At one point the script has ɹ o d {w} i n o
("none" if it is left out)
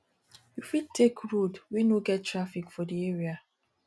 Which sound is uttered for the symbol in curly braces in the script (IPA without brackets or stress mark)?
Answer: w